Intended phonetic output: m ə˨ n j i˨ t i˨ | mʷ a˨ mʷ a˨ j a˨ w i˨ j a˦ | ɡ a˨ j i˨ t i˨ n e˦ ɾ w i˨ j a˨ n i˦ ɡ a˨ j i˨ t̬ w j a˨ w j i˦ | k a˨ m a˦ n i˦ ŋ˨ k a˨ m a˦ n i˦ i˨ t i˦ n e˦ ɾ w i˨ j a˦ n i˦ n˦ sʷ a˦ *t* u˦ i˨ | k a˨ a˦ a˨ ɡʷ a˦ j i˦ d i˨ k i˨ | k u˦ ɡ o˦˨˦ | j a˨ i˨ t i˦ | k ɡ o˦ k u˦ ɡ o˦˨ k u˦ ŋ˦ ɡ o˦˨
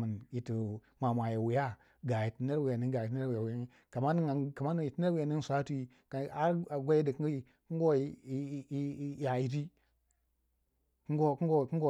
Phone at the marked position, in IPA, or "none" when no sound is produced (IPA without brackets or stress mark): t